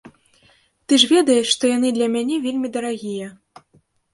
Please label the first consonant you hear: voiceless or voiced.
voiceless